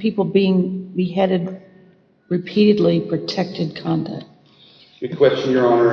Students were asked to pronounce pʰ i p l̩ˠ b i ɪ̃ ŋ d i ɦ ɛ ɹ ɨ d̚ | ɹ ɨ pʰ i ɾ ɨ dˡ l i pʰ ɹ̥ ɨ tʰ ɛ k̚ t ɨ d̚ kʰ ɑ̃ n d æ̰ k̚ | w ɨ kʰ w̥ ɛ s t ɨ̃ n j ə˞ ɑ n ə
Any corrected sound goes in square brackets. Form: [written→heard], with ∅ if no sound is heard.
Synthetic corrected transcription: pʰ i p l̩ˠ b i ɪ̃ ŋ [d→b] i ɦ ɛ [ɹ→ɾ] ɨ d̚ | ɹ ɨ pʰ i ɾ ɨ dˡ l i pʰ ɹ̥ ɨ tʰ ɛ k̚ t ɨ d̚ kʰ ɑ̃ n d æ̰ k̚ | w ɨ kʰ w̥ ɛ s [t→t͡ʃ] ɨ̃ n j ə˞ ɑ n ə